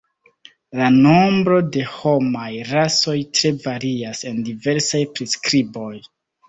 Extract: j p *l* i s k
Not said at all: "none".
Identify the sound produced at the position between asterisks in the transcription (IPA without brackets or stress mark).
ɾ